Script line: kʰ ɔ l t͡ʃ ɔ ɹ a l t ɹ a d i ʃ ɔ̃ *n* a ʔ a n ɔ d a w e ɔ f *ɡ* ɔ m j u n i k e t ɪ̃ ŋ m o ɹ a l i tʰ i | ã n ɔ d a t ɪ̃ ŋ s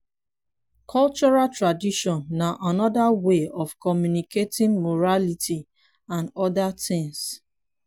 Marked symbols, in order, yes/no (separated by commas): no, no